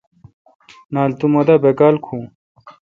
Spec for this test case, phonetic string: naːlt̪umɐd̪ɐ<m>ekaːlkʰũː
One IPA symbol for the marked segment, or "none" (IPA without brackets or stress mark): b